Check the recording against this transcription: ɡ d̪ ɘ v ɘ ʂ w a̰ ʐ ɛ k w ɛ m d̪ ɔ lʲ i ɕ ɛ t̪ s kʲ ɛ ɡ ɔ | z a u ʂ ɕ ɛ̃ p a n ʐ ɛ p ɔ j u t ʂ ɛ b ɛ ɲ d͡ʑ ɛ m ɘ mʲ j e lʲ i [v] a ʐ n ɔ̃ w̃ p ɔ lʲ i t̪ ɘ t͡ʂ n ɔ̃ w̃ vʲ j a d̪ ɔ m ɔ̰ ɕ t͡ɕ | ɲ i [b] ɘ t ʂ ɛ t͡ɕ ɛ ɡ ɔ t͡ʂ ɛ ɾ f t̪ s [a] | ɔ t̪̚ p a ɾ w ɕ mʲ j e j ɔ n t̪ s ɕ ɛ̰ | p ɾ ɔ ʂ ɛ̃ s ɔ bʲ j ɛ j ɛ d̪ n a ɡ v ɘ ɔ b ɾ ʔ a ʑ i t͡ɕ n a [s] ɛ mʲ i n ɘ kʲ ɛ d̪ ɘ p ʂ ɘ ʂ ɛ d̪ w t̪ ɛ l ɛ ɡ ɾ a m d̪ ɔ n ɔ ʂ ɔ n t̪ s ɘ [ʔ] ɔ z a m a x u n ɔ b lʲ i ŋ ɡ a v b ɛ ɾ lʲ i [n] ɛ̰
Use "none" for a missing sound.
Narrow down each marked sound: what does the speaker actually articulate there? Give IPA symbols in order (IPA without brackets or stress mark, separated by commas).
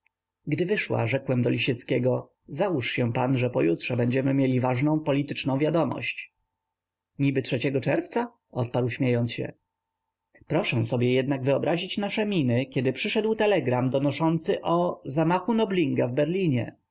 v, b, a, ʂ, ʔ, ɲ